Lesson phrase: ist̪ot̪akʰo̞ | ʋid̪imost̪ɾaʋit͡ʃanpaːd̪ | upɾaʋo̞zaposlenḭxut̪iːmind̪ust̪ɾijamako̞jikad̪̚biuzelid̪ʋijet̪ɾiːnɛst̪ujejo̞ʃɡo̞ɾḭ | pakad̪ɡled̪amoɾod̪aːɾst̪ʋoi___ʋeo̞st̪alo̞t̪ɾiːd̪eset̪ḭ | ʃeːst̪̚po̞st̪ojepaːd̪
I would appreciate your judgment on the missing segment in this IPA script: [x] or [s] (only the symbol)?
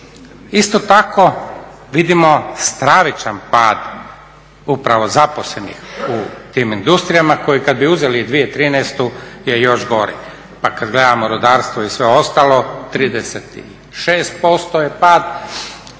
s